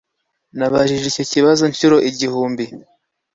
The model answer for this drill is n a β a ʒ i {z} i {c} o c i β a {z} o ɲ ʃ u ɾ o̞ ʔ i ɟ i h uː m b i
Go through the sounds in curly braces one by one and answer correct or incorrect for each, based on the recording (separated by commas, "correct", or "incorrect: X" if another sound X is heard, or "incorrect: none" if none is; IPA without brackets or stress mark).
incorrect: ʒ, correct, correct